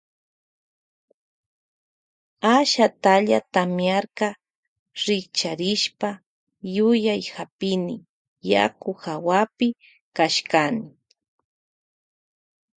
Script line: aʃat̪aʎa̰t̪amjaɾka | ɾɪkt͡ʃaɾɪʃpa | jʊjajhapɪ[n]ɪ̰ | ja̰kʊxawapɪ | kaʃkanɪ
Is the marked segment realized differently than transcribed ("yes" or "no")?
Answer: no